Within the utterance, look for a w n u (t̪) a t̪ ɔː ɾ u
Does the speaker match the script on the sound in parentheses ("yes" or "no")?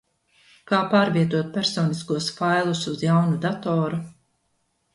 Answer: no